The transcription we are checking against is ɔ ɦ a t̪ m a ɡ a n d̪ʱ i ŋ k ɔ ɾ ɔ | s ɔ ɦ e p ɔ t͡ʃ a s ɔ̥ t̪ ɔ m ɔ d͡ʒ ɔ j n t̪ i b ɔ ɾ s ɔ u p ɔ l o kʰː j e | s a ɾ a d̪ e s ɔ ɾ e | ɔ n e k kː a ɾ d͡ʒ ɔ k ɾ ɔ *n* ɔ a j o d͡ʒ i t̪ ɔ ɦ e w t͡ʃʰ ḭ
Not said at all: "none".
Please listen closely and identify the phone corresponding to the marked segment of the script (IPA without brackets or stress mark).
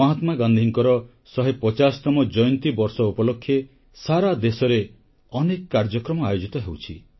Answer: m